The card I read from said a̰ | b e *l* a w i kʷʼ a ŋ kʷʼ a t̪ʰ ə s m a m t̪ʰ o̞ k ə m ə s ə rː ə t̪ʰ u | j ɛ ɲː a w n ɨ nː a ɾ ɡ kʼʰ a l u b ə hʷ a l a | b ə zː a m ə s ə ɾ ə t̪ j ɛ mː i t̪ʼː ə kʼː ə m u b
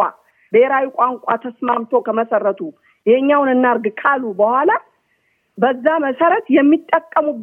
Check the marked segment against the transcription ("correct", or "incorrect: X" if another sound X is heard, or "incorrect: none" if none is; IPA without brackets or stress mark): incorrect: ɾ